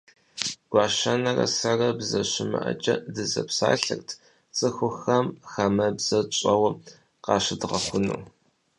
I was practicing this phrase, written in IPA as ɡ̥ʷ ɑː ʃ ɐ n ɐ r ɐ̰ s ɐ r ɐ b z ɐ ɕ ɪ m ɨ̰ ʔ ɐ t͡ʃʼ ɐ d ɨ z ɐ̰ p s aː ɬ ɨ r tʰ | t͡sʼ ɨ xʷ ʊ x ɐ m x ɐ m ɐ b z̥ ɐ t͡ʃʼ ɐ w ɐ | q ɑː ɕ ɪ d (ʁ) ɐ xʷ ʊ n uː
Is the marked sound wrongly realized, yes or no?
no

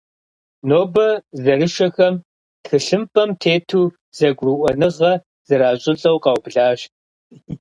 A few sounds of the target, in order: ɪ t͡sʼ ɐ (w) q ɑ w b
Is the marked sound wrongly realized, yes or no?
no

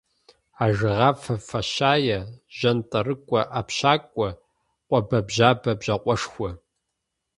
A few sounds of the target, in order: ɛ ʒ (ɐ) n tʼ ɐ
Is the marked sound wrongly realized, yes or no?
no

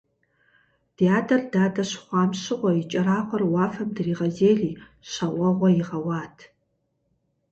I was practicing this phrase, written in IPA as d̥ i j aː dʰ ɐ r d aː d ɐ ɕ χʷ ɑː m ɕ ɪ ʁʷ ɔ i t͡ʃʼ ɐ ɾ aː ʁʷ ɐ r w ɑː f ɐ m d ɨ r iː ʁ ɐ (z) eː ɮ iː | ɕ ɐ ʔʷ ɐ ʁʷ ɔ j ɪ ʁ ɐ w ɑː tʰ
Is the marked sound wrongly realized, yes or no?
no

